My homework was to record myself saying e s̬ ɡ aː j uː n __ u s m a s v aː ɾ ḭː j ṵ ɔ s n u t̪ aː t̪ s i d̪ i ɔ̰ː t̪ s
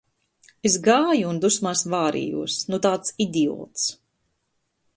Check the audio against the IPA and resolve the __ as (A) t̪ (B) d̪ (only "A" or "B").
B